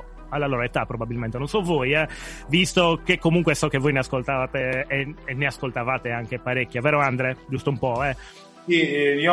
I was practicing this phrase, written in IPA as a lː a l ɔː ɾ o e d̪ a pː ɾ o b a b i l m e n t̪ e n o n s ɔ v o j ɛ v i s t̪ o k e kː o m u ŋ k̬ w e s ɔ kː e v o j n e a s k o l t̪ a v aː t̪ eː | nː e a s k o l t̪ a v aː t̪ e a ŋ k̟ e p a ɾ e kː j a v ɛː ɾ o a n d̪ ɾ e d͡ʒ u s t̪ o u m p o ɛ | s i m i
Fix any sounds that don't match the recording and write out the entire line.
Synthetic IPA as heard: a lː a l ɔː ɾ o e t̪ a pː ɾ o b a b i l m e n t̪ e n o n s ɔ v o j ɛ v i s t̪ o k e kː o m u ŋ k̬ w e s ɔ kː e v o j n e a s k o l t̪ a v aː t̪ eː | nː e a s k o l t̪ a v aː t̪ e a ŋ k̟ e p a ɾ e kː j a v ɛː ɾ o a n d̪ ɾ e d͡ʒ u s t̪ o u m p ɔ ɛ | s i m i